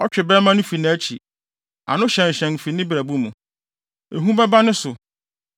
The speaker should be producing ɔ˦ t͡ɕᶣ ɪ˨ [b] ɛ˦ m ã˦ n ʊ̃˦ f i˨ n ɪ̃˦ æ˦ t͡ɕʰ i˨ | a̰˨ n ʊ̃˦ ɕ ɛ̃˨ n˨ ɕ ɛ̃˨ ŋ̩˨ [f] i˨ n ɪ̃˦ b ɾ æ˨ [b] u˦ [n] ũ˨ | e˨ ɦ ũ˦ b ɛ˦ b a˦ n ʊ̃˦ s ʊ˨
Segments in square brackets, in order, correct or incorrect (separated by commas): correct, correct, correct, incorrect